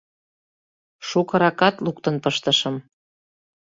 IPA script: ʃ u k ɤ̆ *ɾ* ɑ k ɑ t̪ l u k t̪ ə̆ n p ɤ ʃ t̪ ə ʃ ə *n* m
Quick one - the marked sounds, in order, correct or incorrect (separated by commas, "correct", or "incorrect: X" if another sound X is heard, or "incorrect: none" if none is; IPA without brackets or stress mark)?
correct, incorrect: none